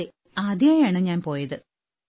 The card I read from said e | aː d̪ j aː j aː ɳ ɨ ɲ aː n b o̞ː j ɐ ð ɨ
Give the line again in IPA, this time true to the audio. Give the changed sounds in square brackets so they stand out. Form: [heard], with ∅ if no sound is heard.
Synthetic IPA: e | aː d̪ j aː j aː ɳ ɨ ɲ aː n [p] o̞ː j ɐ ð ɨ